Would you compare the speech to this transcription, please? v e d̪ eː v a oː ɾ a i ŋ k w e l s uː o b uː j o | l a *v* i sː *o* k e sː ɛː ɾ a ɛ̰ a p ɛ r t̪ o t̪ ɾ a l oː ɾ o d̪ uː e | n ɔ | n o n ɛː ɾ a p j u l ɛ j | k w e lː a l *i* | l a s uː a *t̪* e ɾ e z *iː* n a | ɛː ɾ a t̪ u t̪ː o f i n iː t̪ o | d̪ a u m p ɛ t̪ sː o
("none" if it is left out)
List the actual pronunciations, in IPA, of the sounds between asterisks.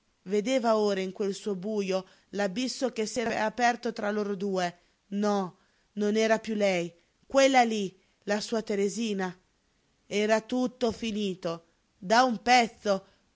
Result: b, o, i, t̪, iː

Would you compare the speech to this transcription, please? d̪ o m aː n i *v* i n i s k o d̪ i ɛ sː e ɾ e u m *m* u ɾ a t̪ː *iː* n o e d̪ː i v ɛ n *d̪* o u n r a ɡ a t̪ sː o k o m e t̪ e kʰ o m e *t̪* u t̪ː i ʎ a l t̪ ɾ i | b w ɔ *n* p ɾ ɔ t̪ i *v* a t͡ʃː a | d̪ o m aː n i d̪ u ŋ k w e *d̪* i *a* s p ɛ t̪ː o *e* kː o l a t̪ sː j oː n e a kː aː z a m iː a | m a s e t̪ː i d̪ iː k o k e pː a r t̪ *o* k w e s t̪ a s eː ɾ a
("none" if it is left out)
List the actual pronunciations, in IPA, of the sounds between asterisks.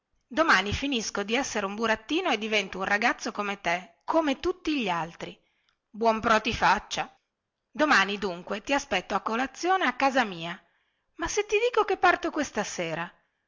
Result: f, b, iː, t̪, t̪, m, f, t̪, a, a, o

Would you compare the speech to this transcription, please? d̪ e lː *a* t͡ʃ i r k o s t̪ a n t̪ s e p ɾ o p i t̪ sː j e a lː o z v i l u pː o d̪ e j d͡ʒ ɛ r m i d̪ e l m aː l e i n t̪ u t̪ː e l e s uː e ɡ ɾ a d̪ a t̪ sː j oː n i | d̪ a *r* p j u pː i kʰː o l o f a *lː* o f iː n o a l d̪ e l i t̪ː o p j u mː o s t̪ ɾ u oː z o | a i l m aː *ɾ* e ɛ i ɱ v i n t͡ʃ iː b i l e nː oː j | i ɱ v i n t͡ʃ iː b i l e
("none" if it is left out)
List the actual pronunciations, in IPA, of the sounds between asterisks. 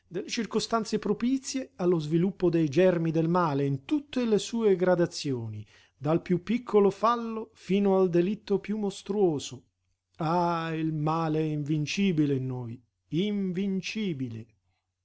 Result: e, l, lː, l

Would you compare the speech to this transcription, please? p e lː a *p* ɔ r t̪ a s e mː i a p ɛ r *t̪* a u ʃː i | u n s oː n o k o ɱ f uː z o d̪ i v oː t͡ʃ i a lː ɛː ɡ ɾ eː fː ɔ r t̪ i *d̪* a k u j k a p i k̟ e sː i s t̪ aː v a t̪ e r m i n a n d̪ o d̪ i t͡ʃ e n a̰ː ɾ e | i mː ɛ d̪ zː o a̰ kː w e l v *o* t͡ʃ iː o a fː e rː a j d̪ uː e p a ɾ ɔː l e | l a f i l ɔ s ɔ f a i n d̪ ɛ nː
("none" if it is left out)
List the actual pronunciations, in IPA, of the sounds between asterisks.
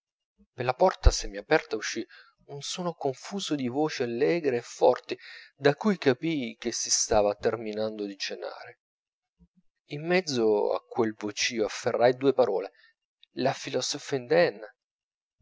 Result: p, t̪, d̪, o

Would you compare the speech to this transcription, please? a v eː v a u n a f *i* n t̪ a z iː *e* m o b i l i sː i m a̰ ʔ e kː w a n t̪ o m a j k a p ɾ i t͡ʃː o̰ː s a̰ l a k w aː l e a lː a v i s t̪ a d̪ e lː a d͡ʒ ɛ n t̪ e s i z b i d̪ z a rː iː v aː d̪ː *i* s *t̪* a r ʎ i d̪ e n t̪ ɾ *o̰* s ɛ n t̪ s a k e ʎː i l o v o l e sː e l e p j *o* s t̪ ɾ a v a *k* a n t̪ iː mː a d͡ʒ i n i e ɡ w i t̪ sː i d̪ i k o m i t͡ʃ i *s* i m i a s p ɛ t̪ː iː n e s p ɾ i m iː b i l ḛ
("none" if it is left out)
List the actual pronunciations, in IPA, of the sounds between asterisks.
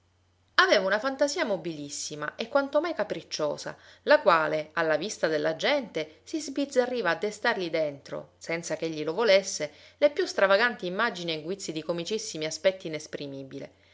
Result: a, a, e, t̪, o̰, u, ɡ, sː

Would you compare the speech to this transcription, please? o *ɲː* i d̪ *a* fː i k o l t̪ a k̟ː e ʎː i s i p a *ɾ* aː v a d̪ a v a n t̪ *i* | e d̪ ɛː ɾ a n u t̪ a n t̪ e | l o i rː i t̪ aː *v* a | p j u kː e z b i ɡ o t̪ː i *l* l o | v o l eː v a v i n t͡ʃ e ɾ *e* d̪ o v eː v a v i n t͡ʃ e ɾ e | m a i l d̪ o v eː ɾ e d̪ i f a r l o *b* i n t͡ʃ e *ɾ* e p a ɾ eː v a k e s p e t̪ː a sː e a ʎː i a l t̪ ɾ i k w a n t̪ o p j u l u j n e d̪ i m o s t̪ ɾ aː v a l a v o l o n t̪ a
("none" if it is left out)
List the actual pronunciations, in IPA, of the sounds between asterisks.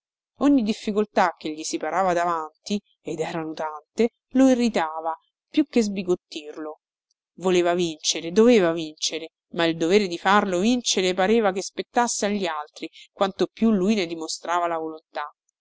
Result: ɲː, i, ɾ, i, v, r, e, v, ɾ

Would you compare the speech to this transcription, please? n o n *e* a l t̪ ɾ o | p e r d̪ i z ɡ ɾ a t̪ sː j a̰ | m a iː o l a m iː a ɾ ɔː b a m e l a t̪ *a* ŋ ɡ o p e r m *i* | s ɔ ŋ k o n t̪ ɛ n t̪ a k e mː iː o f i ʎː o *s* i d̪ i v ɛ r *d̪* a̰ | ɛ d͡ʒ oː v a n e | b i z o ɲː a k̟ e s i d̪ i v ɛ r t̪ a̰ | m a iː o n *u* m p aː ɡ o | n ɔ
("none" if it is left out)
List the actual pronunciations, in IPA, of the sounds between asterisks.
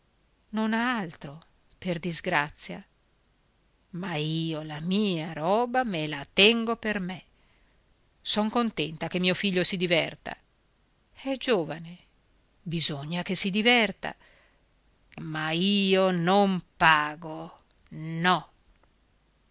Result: a, ɛ, e, s, t̪, o

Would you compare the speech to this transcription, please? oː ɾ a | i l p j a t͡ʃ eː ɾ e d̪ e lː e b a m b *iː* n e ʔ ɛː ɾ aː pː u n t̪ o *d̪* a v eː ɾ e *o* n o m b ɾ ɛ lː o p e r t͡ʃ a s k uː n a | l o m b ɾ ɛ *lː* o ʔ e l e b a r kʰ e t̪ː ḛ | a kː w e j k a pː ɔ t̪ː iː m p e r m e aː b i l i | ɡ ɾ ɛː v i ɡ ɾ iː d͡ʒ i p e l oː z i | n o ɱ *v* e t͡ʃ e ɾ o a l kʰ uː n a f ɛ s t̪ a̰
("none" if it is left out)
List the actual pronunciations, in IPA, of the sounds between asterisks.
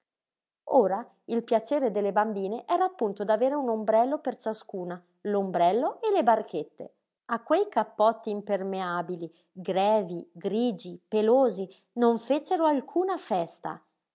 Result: iː, d̪, u, lː, f

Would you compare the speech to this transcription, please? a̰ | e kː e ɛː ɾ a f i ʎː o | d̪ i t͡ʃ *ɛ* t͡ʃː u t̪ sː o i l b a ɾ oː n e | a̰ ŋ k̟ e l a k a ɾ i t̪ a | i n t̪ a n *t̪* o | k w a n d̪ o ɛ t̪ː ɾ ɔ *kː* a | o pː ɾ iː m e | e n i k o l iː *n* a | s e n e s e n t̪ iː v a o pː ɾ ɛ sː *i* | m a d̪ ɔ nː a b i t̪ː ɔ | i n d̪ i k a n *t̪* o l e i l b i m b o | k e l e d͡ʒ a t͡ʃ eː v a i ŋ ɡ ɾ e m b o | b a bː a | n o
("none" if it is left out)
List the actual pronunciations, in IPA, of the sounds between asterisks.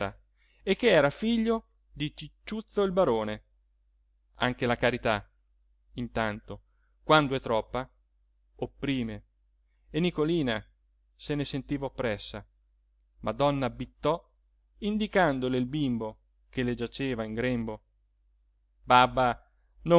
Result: i, t̪, pː, n, a, d̪

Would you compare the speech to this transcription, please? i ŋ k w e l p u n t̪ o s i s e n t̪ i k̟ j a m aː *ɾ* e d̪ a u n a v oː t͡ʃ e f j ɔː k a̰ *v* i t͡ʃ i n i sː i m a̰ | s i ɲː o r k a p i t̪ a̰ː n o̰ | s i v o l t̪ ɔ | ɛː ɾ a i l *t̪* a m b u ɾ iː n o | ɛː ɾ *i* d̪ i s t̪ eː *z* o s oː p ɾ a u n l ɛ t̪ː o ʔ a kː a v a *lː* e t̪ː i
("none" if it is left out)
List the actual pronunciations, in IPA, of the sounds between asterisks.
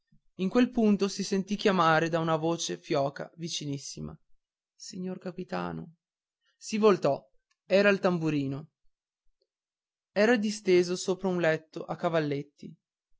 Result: ɾ, v, t̪, a, z, lː

